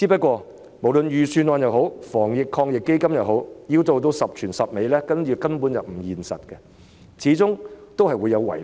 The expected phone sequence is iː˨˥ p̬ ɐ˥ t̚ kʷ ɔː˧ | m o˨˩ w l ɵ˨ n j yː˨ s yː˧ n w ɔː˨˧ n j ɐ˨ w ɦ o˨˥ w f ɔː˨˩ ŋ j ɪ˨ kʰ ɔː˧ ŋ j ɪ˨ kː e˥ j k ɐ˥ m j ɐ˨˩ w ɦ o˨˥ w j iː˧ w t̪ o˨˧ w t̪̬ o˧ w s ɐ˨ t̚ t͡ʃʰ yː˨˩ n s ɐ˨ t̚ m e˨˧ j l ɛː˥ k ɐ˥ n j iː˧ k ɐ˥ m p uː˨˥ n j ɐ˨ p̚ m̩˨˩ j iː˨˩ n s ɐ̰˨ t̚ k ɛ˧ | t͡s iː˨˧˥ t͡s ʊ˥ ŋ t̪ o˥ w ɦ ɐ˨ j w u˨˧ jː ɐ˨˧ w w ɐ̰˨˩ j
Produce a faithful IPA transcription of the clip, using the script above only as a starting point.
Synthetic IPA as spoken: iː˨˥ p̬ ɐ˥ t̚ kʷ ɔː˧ | m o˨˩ w l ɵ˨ n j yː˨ s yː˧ n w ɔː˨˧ n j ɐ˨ w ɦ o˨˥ w f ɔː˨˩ ŋ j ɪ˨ kʰ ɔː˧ ŋ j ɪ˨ kː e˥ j k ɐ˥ m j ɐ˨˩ w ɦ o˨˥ w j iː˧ w t̪ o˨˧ w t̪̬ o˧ w s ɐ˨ p̚ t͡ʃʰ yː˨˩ n s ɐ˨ p̚ m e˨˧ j l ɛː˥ k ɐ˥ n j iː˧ k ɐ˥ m p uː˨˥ n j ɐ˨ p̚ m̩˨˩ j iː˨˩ n s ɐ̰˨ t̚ k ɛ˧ | t͡sʰ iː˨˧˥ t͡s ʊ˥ ŋ t̪ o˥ w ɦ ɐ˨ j w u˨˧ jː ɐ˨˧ w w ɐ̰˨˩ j